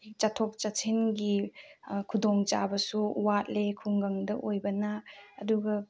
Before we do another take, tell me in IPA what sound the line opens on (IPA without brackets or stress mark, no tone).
t͡ʃ